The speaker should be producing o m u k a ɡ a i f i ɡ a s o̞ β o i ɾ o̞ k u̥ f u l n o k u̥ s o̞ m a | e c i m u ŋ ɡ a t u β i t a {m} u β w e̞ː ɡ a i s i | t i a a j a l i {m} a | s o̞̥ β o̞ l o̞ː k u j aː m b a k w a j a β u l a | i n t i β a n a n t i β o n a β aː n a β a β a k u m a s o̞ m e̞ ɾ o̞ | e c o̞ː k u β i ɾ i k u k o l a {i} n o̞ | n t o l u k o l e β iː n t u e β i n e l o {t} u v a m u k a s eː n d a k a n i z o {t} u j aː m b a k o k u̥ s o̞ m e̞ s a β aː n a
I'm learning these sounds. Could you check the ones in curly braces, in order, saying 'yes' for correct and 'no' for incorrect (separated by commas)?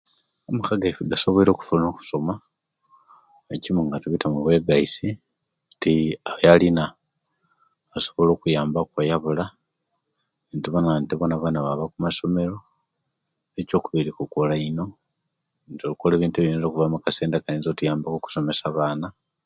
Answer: yes, no, yes, no, yes